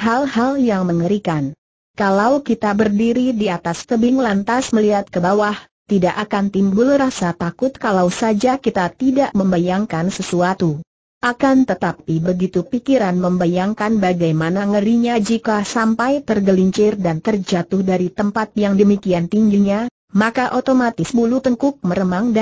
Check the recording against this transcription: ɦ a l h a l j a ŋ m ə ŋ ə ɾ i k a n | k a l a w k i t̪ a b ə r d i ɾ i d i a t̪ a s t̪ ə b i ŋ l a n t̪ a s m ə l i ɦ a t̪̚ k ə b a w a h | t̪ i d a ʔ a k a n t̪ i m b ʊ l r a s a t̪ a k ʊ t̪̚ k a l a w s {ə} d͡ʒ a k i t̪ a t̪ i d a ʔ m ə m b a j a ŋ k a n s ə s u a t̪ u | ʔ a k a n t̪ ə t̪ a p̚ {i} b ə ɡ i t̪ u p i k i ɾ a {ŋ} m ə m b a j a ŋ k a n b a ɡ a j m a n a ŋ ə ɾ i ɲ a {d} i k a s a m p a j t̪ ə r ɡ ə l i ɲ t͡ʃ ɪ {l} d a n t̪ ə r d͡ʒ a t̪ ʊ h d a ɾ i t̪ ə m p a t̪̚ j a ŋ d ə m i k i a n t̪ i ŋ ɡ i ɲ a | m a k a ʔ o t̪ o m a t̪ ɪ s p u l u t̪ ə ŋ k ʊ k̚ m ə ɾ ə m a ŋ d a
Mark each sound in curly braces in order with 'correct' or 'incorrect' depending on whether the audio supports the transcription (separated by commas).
incorrect, correct, incorrect, incorrect, incorrect